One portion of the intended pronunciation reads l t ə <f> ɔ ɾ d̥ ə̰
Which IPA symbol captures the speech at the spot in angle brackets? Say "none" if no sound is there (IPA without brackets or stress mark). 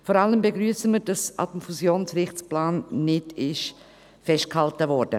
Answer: v